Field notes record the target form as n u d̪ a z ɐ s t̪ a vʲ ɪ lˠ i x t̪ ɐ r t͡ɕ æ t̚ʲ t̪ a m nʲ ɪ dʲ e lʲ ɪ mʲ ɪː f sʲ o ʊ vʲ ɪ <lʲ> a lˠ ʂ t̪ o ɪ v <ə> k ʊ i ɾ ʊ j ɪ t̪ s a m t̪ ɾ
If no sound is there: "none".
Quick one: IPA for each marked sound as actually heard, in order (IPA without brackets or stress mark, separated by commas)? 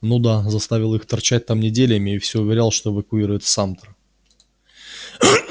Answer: ɾʲ, ə